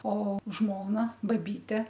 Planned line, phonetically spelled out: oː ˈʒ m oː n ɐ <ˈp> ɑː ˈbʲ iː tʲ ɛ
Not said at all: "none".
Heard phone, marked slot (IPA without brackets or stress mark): b